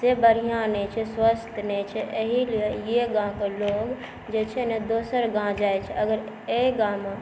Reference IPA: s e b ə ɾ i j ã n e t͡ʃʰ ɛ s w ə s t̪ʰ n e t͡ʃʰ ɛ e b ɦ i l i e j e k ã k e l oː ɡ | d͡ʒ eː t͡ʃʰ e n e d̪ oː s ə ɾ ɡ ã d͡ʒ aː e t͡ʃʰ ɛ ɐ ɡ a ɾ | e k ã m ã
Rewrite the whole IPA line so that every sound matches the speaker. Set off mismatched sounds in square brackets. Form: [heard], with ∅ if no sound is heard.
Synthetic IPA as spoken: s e b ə ɾ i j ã n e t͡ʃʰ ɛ s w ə s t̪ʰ n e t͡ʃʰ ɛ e [∅] ɦ i l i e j e [ɡ] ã k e l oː ɡ | d͡ʒ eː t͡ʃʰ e n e d̪ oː s ə ɾ ɡ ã d͡ʒ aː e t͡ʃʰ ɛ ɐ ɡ [ə] ɾ | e [ɡ] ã m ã